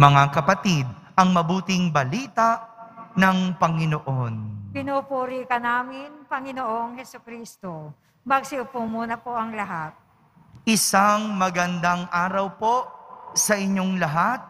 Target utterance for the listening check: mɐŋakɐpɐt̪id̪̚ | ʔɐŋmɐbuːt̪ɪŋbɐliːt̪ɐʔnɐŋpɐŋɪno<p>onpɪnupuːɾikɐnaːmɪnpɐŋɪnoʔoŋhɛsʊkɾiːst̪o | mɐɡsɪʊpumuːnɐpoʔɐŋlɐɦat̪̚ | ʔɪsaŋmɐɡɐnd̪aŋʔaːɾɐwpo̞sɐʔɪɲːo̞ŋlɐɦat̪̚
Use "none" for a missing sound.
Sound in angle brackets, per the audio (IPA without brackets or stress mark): ʔ